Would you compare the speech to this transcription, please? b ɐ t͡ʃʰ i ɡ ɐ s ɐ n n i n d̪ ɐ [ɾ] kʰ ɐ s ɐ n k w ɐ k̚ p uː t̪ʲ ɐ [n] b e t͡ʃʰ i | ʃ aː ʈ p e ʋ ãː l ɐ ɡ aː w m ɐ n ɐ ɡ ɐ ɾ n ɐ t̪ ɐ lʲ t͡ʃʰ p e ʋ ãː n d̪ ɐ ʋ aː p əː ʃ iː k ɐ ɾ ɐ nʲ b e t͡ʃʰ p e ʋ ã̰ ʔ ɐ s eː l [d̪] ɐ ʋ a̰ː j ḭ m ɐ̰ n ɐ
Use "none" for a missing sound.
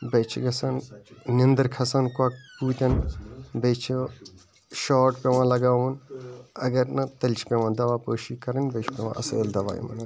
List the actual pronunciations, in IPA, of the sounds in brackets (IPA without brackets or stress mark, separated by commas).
ɾ, n, d̪